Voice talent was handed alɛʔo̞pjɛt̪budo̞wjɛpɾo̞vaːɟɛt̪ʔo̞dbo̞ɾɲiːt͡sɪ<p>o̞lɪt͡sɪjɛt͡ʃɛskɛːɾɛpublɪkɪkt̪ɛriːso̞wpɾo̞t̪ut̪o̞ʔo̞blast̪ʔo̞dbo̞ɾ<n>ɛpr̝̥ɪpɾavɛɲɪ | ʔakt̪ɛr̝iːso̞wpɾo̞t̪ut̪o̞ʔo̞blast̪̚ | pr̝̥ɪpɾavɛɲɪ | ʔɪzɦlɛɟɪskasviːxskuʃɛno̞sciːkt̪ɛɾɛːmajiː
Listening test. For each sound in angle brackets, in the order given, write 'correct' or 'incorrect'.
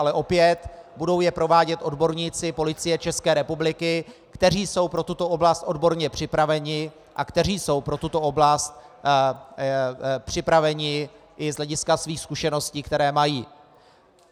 correct, incorrect: ɲ

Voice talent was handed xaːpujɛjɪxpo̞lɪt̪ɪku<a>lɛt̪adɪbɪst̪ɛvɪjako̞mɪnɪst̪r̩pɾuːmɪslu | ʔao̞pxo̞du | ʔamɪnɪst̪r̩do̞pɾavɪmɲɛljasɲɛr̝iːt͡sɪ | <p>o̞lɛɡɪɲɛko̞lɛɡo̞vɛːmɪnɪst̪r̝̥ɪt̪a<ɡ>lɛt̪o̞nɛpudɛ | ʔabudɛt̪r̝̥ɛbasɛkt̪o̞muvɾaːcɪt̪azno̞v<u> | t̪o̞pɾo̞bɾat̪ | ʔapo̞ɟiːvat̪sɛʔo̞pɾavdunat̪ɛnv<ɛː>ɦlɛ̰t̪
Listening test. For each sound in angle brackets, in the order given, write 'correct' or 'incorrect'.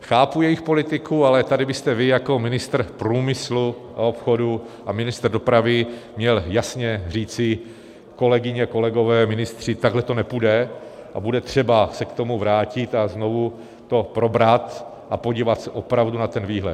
correct, incorrect: k, correct, correct, incorrect: iː

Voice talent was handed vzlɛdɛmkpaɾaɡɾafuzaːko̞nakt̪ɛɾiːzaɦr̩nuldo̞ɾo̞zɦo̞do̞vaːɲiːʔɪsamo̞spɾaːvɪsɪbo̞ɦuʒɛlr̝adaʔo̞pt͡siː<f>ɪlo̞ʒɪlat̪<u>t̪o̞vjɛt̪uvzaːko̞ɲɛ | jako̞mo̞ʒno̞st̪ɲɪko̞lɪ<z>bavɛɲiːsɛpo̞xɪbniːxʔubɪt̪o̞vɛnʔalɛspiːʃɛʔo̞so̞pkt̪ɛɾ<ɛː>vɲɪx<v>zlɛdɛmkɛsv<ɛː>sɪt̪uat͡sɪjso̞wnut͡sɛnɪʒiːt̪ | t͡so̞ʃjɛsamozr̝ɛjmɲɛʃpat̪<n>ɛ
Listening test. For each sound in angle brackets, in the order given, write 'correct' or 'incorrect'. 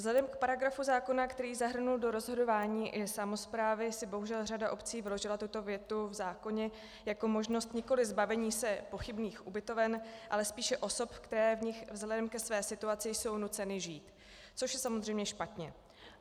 incorrect: v, correct, correct, correct, correct, correct, incorrect: ɲ

